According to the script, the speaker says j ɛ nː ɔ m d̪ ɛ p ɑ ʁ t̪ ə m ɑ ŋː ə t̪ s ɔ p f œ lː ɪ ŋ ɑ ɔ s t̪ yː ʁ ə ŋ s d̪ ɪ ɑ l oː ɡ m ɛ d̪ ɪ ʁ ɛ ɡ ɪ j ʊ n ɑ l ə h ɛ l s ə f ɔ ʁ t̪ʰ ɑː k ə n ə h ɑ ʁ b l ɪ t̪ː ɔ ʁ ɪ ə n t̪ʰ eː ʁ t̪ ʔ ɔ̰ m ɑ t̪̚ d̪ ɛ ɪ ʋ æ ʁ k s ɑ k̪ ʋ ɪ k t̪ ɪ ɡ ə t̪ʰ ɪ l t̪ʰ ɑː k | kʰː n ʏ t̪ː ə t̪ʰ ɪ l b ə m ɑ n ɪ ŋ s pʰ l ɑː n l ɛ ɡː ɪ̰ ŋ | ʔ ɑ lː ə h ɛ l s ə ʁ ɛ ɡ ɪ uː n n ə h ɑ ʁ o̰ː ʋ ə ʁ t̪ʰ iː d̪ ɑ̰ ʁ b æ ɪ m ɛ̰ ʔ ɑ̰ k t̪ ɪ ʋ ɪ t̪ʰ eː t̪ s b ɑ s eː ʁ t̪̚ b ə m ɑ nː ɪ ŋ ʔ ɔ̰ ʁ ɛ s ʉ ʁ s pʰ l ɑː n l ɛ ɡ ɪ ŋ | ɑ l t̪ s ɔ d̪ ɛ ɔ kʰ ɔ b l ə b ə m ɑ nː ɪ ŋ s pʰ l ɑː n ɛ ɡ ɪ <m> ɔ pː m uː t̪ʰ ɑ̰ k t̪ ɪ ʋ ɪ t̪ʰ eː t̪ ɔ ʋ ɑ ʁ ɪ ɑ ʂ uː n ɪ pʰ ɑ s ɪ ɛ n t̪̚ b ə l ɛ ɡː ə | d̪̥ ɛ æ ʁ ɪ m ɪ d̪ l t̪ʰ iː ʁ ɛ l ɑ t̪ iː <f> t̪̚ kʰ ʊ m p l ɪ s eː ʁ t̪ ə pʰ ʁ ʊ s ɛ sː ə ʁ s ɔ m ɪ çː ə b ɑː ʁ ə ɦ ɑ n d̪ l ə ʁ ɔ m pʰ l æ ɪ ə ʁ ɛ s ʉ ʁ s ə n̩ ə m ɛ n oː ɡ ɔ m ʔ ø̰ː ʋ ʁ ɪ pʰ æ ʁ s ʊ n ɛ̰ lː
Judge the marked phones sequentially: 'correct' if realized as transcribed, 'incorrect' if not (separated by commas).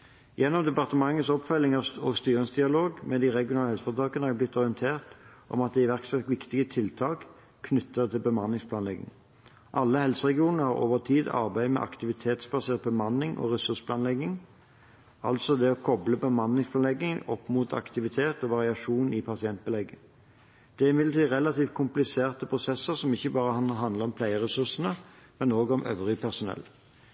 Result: incorrect, correct